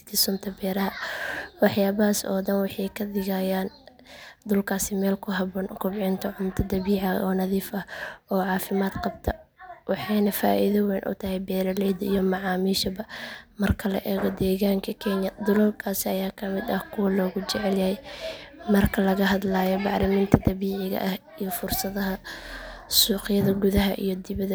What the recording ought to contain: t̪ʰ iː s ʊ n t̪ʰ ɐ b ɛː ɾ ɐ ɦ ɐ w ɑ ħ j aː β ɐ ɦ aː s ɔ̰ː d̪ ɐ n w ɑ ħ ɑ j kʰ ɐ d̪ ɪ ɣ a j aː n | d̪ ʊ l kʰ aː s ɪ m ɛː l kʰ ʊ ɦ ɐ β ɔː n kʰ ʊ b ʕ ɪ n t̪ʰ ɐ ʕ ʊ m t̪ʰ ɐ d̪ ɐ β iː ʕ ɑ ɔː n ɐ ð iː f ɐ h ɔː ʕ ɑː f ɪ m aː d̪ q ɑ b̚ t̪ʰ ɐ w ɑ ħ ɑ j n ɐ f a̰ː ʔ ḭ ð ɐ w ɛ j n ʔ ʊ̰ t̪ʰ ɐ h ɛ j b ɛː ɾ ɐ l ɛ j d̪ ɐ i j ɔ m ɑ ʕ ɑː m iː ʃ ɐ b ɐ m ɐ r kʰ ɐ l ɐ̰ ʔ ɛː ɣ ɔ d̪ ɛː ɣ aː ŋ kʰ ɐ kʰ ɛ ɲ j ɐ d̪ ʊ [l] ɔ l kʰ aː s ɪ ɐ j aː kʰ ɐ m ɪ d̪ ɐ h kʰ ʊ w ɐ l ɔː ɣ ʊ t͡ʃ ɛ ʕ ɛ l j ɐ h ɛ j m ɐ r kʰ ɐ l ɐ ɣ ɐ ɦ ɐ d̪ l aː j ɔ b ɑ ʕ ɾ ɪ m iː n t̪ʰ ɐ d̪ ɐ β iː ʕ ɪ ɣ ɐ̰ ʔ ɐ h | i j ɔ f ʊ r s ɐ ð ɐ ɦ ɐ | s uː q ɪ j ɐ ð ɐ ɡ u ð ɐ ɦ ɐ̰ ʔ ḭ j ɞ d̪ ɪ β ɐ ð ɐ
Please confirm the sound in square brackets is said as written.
yes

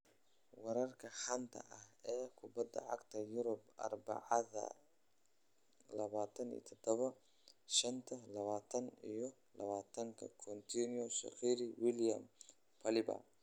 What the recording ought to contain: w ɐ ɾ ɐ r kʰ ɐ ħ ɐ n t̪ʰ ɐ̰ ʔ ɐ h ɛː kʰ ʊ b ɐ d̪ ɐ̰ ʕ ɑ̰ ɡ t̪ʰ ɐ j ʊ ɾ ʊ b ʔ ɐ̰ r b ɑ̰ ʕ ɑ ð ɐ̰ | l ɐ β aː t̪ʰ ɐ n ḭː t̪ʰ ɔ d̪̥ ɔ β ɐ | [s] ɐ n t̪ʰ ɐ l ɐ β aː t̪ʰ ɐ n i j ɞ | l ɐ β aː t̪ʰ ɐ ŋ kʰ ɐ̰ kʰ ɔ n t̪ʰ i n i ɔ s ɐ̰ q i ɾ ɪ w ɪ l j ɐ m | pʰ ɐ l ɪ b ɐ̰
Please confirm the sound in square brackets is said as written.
no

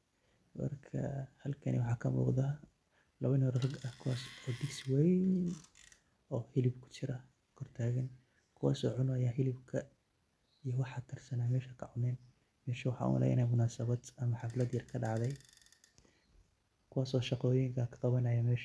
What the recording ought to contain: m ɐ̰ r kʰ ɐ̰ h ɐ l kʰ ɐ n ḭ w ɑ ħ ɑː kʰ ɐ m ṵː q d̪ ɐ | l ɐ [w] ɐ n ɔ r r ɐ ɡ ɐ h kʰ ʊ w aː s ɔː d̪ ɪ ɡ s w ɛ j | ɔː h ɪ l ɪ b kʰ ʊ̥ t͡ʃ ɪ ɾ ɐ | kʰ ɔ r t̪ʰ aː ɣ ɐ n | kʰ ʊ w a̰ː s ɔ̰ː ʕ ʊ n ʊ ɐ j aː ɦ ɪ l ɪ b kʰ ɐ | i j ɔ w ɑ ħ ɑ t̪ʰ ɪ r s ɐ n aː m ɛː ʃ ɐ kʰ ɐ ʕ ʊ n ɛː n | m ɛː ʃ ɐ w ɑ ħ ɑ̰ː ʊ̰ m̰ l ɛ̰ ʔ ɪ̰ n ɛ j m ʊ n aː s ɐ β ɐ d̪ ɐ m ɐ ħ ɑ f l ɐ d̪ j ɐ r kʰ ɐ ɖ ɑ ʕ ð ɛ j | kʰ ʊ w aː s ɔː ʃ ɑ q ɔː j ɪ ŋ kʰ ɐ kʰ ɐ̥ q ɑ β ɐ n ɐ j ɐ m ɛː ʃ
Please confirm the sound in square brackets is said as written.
no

